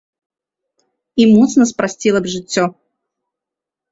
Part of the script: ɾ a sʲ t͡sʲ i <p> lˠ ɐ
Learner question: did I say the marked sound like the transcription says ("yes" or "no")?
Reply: no